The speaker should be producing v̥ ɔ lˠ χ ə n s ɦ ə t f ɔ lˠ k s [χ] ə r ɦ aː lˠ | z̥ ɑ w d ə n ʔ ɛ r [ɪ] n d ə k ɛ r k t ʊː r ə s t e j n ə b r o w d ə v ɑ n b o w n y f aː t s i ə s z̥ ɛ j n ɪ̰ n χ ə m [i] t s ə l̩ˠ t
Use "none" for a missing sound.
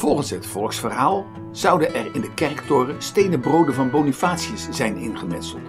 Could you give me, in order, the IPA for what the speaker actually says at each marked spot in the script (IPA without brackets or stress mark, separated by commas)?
f, ɪ, ɛ